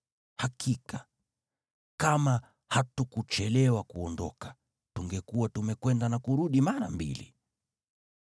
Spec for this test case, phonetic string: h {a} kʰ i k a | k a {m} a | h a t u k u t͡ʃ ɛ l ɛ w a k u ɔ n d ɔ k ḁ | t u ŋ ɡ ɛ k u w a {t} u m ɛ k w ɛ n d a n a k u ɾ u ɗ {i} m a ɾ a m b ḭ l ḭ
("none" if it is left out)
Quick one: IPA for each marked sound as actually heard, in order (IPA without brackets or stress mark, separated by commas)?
a, m, t, i